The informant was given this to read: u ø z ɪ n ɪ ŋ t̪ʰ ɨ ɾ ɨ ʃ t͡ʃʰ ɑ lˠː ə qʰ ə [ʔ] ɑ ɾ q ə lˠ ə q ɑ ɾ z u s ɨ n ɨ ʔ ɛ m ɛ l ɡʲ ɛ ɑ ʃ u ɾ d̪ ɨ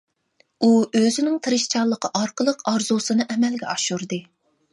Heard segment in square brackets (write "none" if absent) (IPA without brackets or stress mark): ʔ